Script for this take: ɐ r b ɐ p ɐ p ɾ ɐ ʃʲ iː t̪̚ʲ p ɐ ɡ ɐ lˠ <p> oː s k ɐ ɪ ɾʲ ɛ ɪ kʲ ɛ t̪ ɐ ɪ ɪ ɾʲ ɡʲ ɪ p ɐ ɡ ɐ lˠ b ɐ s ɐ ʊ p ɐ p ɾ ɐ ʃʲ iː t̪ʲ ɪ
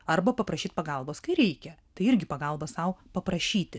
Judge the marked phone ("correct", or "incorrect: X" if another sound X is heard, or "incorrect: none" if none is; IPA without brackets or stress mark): incorrect: b